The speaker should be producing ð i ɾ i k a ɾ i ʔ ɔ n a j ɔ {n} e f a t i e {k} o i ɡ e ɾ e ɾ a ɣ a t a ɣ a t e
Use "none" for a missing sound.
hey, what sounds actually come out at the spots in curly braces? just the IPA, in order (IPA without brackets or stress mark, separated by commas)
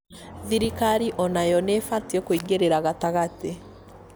n, k